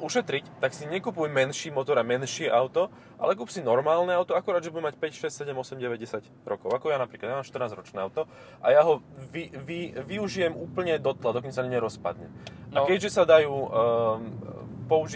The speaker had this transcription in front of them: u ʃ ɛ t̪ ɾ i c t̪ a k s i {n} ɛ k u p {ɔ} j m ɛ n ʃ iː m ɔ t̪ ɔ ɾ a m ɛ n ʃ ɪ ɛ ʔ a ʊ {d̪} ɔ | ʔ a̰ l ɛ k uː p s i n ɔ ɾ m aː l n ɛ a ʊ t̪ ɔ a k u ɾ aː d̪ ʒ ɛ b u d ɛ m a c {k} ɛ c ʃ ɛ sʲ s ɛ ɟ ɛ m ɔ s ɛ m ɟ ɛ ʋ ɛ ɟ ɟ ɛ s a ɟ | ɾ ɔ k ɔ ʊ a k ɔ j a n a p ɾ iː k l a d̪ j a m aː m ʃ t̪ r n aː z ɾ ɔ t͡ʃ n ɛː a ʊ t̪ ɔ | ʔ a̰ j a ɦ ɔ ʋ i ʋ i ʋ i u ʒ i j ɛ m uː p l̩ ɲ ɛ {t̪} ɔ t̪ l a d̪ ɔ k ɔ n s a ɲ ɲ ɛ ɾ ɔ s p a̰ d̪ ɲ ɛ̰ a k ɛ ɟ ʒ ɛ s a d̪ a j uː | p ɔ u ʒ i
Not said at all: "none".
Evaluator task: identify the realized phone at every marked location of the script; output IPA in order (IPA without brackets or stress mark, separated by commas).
ɲ, u, t̪, p, d̪